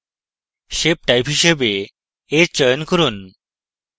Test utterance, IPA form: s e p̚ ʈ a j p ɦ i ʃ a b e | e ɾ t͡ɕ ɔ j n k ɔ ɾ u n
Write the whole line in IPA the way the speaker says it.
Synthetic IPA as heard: ʃ e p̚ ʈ a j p ɦ i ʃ e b e | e ɾ t͡ɕ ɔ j n k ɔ ɾ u n